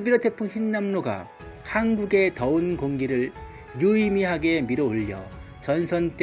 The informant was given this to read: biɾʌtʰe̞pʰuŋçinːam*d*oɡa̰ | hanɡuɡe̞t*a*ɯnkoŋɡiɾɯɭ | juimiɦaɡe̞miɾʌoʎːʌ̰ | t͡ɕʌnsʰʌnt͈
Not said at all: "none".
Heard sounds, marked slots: n, ʌ

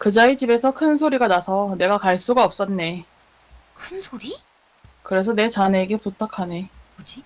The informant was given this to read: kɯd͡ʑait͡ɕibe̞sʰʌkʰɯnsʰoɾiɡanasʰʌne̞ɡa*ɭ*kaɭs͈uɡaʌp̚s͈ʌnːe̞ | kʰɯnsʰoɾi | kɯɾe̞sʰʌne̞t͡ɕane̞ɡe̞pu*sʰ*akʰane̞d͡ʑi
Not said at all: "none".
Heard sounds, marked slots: none, tʰ

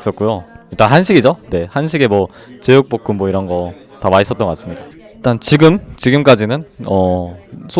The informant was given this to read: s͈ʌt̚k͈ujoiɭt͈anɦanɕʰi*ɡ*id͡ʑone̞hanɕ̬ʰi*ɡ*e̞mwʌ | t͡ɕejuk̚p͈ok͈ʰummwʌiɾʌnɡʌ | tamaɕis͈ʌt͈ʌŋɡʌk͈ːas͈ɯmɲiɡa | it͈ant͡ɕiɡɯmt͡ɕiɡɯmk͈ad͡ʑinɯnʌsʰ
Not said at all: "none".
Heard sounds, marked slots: ɡ, ɡ

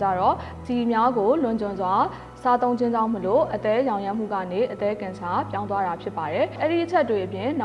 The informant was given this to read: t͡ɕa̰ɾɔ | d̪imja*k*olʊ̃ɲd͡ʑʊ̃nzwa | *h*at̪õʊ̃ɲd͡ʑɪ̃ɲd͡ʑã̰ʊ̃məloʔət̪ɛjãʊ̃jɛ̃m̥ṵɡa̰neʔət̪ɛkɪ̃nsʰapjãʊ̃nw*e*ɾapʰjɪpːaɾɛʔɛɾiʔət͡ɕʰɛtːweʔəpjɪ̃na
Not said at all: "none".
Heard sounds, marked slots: ɡ, s, a

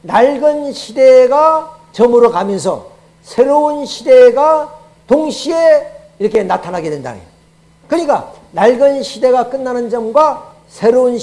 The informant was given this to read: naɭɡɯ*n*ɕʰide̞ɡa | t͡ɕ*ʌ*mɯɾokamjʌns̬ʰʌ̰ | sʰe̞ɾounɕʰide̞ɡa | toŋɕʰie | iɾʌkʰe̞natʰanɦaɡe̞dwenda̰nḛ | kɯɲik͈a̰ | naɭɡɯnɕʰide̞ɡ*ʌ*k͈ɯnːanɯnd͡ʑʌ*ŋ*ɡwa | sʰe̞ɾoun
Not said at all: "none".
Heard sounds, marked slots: n, ʌ, a, m

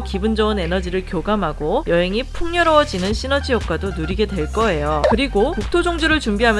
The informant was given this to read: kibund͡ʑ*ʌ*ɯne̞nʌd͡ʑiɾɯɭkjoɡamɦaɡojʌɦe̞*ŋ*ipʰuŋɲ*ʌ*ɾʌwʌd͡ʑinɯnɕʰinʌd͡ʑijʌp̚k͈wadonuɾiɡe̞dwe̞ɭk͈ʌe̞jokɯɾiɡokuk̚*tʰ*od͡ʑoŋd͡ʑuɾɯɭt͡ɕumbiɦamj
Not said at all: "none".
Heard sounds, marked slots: ʌ, ŋ, ʌ, tʰ

